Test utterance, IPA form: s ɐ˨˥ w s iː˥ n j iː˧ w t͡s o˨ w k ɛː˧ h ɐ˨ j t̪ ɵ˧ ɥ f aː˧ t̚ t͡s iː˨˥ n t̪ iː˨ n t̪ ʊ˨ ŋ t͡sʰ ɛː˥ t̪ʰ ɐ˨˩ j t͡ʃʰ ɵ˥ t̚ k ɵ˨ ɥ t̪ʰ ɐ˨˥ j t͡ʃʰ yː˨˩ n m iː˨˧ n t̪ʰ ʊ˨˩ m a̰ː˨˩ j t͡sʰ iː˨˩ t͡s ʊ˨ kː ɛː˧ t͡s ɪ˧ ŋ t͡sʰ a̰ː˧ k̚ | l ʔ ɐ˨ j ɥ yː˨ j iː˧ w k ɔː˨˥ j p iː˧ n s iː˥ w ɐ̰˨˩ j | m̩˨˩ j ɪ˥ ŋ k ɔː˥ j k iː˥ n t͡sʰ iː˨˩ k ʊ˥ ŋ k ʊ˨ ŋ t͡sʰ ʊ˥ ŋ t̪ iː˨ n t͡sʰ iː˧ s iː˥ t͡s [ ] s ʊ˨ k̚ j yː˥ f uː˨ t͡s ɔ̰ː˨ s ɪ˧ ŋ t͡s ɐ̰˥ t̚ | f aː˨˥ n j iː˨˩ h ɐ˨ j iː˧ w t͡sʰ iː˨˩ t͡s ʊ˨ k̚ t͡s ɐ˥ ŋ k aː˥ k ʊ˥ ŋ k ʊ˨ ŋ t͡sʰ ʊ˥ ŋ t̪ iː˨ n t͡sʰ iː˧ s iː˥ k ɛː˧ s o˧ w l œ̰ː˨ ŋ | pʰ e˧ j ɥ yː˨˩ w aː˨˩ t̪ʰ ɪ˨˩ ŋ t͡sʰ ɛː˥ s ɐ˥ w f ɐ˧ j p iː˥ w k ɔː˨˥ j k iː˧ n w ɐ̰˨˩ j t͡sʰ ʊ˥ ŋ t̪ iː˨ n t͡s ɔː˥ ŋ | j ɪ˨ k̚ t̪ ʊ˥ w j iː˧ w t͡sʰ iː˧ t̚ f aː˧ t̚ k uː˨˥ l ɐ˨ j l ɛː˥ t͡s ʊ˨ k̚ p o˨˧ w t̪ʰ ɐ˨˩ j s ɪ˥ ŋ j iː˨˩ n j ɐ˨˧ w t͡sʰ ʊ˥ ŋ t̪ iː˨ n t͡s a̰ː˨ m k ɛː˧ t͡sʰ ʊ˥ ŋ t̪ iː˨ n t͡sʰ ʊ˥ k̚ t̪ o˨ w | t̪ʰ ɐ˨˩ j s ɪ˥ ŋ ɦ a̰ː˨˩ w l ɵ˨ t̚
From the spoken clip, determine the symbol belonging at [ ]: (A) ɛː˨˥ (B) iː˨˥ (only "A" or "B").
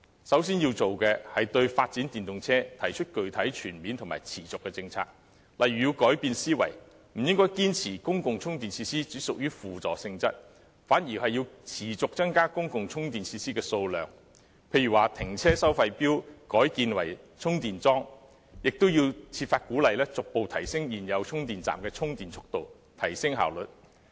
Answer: B